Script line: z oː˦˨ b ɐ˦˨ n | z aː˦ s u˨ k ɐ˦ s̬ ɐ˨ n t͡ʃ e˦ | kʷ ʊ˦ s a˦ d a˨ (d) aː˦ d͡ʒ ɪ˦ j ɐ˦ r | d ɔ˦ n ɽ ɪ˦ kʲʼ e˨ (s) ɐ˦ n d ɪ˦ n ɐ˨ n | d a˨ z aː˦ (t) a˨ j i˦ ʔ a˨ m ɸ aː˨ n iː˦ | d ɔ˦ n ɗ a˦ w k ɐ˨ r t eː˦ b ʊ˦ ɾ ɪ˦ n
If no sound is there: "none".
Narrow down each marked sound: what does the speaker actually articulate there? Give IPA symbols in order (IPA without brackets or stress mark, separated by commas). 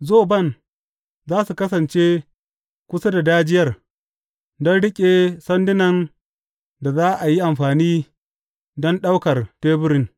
d, s, ʔ